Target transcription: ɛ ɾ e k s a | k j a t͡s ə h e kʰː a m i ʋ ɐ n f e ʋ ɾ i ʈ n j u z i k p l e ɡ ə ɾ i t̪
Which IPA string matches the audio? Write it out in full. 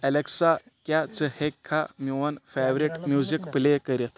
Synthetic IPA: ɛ l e k s a | k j a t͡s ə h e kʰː a m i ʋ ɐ n f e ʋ ɾ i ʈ m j u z i k p l e k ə ɾ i t̪